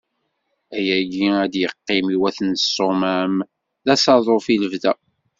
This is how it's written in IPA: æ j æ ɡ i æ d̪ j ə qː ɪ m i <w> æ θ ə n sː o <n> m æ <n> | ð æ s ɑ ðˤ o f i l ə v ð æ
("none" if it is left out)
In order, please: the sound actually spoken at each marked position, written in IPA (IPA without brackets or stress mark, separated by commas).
w, none, m